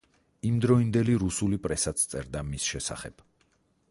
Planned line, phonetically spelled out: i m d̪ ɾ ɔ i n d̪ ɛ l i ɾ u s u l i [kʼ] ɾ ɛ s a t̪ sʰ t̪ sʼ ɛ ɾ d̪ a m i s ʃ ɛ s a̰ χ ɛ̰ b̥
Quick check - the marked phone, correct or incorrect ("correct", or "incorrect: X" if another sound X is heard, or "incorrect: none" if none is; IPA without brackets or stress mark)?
incorrect: pʼ